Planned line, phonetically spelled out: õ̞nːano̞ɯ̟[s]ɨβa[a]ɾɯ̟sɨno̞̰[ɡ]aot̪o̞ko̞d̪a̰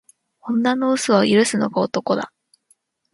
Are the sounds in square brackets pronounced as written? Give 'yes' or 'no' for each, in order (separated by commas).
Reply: yes, no, yes